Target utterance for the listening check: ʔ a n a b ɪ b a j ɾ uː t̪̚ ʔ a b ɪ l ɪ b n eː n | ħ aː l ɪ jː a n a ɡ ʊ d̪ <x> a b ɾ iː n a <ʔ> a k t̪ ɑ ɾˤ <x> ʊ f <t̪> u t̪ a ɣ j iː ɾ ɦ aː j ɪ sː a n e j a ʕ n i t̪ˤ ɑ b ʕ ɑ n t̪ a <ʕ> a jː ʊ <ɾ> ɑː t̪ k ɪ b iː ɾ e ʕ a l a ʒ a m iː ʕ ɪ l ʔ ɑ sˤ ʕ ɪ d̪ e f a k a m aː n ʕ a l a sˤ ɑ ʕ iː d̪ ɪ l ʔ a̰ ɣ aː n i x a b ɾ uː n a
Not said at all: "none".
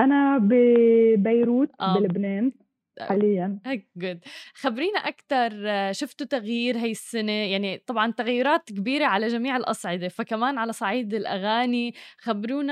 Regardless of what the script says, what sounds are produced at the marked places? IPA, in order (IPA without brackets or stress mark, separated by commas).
x, ʔ, ʃ, t̪, ɣ, ɾ